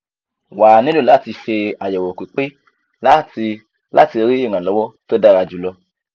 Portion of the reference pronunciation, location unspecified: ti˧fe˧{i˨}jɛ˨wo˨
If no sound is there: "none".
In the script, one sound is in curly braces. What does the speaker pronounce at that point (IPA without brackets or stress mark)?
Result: a˨